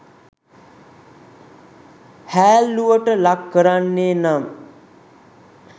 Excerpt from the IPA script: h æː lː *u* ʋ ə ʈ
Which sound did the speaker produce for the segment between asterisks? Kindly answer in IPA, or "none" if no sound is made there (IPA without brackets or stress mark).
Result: u